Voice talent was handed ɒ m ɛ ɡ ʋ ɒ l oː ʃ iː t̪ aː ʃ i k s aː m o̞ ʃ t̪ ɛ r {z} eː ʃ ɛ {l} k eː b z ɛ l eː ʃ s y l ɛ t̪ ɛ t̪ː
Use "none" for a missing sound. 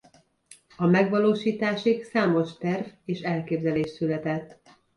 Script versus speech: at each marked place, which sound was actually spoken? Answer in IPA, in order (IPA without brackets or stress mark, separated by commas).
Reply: v, l